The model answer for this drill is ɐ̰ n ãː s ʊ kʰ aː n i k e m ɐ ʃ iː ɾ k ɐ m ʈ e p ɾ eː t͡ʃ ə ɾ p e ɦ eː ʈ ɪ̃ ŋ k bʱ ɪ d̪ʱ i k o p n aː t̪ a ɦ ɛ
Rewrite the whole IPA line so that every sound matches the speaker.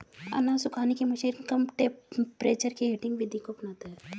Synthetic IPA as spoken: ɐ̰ n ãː s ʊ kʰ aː n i k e m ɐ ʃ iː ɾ k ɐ m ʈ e p ɾ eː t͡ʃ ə ɾ k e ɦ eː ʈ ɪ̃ ŋ ɡ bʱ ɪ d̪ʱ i k o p n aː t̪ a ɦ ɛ